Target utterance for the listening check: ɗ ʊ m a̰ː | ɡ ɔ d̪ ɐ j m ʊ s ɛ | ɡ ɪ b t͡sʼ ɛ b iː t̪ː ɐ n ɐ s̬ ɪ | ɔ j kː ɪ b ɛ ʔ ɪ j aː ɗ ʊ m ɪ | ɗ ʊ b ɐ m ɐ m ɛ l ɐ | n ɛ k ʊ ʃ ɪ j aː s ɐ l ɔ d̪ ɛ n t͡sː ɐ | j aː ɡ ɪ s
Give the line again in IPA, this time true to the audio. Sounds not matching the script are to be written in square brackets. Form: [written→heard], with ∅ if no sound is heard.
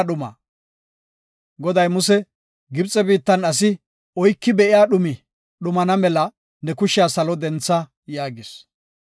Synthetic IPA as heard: ɗ ʊ m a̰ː | ɡ ɔ d̪ ɐ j m ʊ s ɛ | ɡ ɪ b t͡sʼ ɛ b iː t̪ː ɐ n ɐ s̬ ɪ | ɔ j kː ɪ b ɛ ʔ ɪ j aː ɗ ʊ m ɪ | ɗ ʊ [b→m] ɐ [m→n] ɐ m ɛ l ɐ | n ɛ k ʊ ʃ ɪ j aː s ɐ l ɔ d̪ ɛ n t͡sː ɐ | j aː ɡ ɪ s